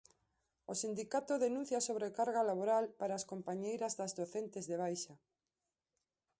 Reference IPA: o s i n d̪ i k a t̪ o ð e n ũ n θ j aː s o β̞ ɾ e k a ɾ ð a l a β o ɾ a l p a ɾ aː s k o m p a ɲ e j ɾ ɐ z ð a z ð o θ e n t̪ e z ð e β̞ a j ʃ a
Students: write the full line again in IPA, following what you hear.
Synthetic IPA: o s i n d̪ i k a t̪ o ð e n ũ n θ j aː s o β̞ ɾ e k a ɾ ɣ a l a β o ɾ a l p a ɾ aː s k o m p a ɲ e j ɾ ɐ z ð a z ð o θ e n t̪ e z ð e β̞ a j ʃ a